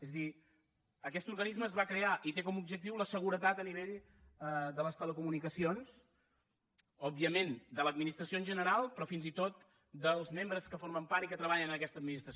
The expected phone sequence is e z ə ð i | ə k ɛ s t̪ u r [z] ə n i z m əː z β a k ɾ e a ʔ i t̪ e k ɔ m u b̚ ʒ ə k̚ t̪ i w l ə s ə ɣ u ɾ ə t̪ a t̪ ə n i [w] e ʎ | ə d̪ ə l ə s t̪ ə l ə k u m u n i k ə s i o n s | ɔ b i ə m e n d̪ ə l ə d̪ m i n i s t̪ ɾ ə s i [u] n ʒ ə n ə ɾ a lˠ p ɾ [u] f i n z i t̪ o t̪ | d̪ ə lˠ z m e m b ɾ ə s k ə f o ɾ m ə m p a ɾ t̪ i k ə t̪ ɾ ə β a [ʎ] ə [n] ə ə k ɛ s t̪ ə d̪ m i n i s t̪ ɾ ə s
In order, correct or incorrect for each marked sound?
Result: incorrect, incorrect, incorrect, incorrect, correct, correct

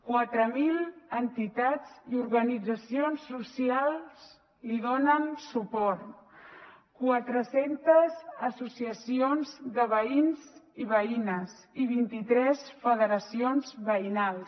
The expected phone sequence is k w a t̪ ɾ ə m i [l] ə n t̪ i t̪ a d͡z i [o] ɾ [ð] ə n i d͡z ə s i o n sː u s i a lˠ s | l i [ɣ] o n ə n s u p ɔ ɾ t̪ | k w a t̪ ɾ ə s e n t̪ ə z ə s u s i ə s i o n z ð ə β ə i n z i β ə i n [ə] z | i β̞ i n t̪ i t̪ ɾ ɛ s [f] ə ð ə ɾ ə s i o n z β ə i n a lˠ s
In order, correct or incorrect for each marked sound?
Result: correct, incorrect, incorrect, incorrect, correct, correct

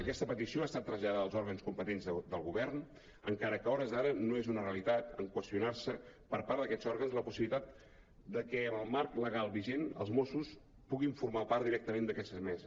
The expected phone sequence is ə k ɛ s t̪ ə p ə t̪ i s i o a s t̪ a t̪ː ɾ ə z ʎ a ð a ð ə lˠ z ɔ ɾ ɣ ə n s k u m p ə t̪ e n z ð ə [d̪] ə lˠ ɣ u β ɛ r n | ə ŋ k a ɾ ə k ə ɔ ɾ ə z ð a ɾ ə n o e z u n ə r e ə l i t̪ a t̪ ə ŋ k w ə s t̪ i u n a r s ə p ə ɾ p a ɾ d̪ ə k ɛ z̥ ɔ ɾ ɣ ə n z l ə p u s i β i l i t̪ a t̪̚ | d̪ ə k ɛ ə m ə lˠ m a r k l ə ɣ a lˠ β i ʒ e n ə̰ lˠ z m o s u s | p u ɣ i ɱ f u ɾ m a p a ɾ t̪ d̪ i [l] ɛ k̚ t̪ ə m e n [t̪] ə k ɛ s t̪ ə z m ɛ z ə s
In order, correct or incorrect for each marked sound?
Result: correct, incorrect, incorrect

